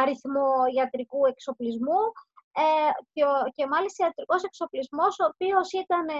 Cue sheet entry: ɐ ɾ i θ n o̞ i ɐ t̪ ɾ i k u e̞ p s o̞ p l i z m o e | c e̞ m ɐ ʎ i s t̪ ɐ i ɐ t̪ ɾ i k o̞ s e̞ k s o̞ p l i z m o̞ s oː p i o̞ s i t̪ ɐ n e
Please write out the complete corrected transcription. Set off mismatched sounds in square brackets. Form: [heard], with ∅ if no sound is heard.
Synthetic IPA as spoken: ɐ ɾ i θ [m] o̞ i ɐ t̪ ɾ i k u e̞ [k] s o̞ p l i z m [u] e | c e̞ m ɐ [l] i s t̪ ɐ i ɐ t̪ ɾ i k o̞ s e̞ k s o̞ p l i z m o̞ s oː p i o̞ s i t̪ ɐ n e